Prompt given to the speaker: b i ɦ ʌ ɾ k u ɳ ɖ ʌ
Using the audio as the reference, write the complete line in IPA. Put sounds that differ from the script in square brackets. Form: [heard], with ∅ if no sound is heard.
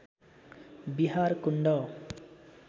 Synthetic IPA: b i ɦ [a] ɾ k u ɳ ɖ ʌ